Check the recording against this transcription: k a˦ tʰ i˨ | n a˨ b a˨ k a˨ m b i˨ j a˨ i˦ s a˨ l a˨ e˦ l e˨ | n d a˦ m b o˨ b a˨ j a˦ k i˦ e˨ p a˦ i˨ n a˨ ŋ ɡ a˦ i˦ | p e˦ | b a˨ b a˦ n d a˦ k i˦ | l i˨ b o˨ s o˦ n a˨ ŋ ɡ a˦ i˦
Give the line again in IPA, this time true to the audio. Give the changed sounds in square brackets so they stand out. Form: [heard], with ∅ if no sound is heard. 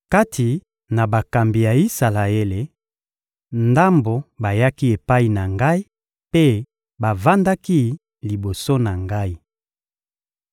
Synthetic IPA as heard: k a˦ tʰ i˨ | n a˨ b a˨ k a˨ m b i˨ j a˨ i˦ s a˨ l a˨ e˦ l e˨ | n d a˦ m b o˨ b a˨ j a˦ k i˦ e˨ p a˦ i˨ n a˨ ŋ ɡ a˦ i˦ | p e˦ | b a˨ [v] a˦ n d a˦ k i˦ | l i˨ b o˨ s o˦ n a˨ ŋ ɡ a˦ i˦